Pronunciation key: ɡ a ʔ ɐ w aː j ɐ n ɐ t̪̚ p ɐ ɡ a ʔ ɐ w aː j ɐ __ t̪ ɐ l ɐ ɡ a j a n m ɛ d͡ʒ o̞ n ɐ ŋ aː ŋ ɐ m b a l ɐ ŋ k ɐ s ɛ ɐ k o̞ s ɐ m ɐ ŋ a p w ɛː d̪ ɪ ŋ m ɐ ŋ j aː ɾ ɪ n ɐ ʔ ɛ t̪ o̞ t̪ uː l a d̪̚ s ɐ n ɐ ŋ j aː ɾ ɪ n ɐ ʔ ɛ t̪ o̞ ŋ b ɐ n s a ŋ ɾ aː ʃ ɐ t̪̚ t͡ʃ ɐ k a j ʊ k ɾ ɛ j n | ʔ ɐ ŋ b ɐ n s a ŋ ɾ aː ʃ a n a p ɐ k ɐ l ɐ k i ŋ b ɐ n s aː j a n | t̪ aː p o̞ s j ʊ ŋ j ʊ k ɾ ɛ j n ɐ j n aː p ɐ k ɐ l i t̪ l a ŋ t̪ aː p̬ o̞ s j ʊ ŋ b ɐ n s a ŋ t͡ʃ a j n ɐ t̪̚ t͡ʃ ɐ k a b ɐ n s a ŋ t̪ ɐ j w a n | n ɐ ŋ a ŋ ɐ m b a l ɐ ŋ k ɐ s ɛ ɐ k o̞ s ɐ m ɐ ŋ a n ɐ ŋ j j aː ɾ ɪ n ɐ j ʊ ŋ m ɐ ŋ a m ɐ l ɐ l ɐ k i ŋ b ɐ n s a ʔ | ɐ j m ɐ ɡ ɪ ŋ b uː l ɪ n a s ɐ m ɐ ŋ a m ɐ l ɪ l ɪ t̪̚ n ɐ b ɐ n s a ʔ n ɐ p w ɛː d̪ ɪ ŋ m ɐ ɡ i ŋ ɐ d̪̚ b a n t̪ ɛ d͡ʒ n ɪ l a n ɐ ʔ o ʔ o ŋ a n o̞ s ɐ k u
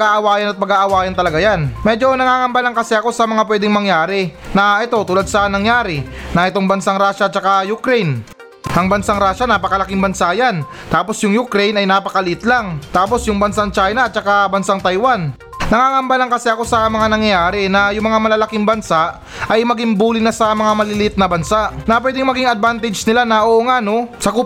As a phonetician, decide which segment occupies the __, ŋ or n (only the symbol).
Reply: n